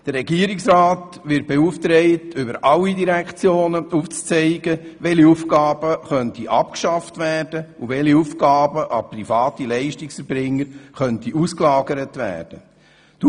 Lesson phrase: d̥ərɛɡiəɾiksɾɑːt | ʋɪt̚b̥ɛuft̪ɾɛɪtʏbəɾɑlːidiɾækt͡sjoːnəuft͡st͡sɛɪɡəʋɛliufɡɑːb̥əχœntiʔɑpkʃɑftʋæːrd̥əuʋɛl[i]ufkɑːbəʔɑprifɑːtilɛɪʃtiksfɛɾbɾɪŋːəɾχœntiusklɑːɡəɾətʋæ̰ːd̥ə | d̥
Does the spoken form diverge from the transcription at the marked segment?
no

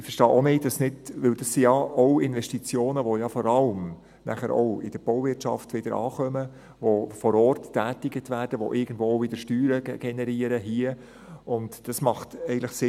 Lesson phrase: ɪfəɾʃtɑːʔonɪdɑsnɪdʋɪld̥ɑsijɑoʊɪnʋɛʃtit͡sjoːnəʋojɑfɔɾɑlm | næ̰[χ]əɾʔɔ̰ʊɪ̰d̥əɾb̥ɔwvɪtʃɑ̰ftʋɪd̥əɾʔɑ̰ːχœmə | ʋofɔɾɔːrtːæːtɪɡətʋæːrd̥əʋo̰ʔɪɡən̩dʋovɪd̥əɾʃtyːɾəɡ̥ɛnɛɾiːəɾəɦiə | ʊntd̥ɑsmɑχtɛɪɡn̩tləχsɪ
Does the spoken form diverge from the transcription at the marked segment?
no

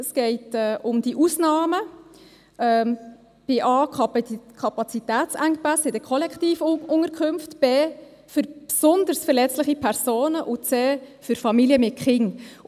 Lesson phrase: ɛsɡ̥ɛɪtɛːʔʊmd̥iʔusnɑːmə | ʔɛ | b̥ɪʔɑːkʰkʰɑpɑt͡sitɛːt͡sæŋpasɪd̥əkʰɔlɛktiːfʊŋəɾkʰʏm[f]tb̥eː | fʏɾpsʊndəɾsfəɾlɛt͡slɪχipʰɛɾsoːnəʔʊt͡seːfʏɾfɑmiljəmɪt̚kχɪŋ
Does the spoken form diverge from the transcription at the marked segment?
no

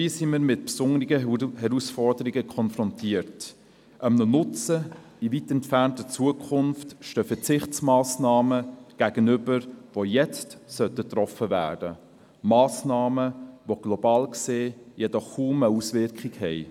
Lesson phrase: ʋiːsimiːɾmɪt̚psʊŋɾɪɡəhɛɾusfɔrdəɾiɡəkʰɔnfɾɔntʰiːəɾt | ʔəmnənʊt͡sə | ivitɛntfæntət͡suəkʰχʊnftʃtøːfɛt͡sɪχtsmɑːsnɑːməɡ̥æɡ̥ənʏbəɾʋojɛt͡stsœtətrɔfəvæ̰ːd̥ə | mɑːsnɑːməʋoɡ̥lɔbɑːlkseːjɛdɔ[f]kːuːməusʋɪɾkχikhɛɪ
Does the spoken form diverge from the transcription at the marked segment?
yes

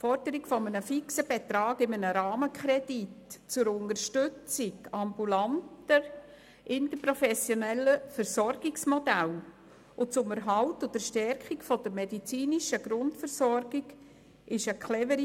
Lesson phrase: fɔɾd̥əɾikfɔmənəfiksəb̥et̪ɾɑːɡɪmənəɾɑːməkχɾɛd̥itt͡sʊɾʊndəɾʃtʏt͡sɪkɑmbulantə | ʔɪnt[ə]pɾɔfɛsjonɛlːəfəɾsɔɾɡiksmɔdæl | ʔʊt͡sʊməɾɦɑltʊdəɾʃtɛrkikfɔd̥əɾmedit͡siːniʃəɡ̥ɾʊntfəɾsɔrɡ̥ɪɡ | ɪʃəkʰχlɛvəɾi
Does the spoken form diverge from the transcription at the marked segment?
no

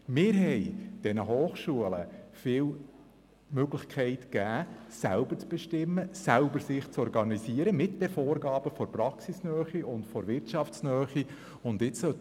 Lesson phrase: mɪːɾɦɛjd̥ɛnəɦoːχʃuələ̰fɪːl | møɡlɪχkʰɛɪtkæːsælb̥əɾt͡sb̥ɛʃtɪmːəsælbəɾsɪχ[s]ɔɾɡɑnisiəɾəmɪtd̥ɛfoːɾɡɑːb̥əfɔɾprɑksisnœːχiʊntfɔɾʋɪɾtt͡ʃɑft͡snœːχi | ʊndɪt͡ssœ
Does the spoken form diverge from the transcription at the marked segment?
yes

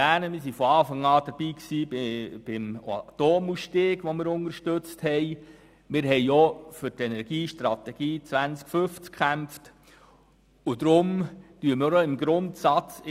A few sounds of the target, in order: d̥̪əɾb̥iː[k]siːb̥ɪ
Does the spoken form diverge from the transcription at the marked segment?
no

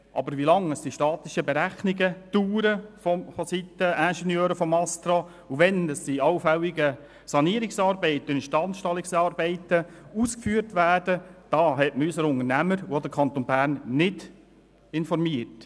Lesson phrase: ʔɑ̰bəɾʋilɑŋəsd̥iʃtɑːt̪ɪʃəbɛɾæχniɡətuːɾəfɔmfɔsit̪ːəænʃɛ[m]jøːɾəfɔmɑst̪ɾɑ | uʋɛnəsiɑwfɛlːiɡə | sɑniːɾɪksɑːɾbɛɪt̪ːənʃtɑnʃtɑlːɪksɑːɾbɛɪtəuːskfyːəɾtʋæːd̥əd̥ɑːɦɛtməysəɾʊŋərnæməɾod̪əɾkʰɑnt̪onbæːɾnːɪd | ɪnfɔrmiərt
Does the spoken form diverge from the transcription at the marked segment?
yes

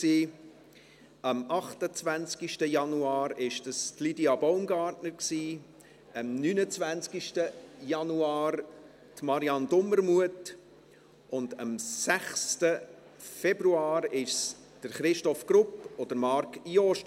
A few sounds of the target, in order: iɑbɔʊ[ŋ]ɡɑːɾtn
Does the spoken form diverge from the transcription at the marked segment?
yes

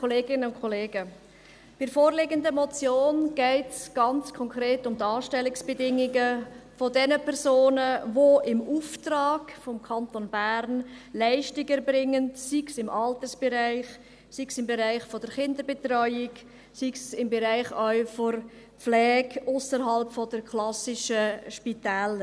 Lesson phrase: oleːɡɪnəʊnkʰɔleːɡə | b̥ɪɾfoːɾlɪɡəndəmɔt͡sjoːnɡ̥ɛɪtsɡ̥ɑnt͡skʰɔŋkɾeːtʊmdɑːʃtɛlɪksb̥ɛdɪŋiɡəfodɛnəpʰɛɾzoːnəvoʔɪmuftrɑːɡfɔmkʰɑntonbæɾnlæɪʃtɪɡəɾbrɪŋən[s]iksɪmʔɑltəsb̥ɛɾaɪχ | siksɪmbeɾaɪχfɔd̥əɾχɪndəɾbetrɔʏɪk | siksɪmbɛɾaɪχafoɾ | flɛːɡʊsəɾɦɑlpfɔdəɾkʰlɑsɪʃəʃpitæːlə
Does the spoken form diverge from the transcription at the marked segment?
no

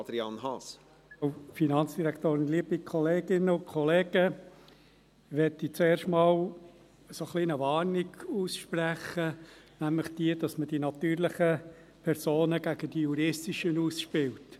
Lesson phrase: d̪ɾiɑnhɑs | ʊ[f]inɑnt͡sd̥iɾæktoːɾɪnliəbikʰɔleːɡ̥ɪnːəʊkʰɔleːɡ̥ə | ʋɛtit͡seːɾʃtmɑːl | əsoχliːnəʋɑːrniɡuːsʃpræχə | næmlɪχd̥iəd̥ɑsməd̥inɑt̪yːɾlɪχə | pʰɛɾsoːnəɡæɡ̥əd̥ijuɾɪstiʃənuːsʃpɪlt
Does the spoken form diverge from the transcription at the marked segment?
no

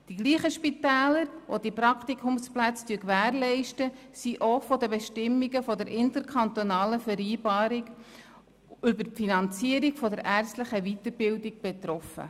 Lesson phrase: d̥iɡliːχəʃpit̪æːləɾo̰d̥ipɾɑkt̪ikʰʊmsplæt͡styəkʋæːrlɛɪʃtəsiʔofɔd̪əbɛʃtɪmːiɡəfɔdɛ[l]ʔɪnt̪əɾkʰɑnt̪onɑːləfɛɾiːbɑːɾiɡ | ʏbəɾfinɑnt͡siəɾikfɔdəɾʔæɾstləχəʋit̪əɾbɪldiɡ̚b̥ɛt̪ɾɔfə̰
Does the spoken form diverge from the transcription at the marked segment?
yes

